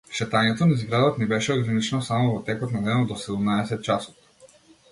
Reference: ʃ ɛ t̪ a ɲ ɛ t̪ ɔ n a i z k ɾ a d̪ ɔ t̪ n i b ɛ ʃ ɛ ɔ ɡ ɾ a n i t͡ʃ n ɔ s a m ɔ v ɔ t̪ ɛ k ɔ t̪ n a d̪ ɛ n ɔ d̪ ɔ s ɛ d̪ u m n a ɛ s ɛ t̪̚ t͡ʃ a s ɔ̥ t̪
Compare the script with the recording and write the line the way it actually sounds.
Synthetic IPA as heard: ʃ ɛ t̪ a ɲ ɛ t̪ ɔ n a i z ɡ ɾ a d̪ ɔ t̪ n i b ɛ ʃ ɛ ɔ ɡ ɾ a n i t͡ʃ n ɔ s a m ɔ v ɔ t̪ ɛ k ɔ t̪ n a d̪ ɛ n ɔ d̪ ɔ s ɛ d̪ u m n a ɛ s ɛ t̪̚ t͡ʃ a s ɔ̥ t̪